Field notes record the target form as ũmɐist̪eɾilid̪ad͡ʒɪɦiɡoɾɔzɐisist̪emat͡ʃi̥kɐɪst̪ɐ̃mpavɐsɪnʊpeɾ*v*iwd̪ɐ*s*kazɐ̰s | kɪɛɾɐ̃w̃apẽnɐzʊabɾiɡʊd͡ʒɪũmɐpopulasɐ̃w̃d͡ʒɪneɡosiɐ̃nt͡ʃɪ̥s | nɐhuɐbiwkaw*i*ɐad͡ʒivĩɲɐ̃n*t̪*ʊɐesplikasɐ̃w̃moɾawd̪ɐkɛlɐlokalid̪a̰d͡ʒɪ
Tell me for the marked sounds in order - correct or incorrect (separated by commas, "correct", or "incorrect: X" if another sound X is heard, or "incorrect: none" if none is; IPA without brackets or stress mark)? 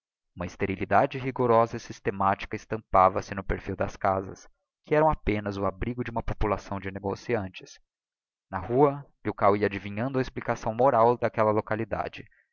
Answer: incorrect: f, correct, correct, incorrect: d̪